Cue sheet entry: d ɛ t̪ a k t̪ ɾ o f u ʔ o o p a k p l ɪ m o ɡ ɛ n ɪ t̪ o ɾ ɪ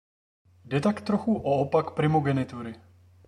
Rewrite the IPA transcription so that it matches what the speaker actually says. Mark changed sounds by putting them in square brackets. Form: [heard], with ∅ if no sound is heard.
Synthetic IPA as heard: d ɛ t̪ a k t̪ ɾ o [x] u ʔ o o p a k p [ɾ] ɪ m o ɡ ɛ n ɪ t̪ [u] ɾ ɪ

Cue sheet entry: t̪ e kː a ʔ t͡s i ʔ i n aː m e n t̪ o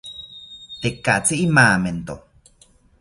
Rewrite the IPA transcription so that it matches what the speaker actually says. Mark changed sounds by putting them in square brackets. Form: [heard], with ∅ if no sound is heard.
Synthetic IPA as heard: t̪ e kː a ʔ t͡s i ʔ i [m] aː m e n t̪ o

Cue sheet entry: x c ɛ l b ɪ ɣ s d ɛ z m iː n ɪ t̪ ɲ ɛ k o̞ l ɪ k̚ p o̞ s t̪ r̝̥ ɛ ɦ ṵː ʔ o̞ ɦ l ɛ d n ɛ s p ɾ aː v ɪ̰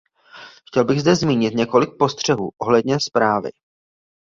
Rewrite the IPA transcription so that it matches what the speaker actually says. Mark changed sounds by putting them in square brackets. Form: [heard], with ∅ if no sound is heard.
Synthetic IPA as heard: x c ɛ l b ɪ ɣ [z] d ɛ z m iː [ɲ] ɪ t̪ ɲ ɛ k o̞ l ɪ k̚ p o̞ s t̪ r̝̥ ɛ ɦ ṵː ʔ o̞ ɦ l ɛ d [ɲ] ɛ s p ɾ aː v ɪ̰

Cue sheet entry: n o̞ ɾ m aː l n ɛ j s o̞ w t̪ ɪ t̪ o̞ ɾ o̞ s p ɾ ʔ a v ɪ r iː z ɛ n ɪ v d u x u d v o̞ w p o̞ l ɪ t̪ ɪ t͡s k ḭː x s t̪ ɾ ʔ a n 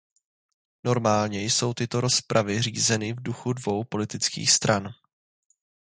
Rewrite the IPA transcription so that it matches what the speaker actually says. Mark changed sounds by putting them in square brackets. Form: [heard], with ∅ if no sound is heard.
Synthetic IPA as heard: n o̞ ɾ m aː l [ɲ] ɛ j s o̞ w t̪ ɪ t̪ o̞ ɾ o̞ s p ɾ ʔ a v ɪ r iː z ɛ n ɪ v d u x u d v o̞ w p o̞ l ɪ t̪ ɪ t͡s k ḭː x s t̪ ɾ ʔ a n

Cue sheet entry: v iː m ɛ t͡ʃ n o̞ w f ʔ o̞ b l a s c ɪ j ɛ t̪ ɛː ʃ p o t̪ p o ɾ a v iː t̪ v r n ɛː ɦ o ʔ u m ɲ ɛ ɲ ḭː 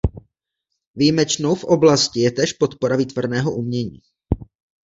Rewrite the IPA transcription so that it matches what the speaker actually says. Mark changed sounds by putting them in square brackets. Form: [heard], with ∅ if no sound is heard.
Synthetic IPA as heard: v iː m ɛ t͡ʃ n o̞ w f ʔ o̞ b l a s c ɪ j ɛ t̪ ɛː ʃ p o t̪ p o ɾ a v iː t̪ v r n ɛː ɦ o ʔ u m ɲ ɛ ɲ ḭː

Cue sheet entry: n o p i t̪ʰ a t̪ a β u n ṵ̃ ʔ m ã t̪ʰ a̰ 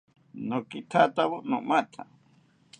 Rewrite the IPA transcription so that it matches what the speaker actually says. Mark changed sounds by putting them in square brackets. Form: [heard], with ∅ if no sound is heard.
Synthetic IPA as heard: n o [k] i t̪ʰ a t̪ a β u n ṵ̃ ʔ m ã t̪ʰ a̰

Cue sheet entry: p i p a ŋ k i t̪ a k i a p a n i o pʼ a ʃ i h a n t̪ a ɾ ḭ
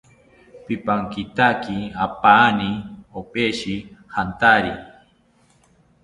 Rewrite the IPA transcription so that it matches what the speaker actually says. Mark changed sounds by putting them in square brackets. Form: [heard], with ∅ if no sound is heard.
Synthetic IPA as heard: p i p a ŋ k i t̪ a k i a p a n i o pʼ [e] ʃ i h a n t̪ a ɾ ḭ

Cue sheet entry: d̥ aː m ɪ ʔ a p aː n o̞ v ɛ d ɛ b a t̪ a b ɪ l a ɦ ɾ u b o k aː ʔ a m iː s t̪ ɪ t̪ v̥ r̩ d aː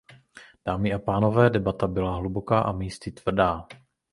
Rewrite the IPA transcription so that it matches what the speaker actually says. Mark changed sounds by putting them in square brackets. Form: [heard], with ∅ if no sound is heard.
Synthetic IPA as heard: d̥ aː m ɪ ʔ a p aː n o̞ v [ɛː] d ɛ b a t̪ a b ɪ l a ɦ [l] u b o k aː ʔ a m iː s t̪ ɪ t̪ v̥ r̩ d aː

